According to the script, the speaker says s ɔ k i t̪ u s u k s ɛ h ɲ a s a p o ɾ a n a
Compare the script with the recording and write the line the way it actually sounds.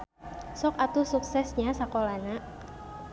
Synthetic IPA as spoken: s ɔ k a t̪ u s u k s ɛ s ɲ a s a k o l a n a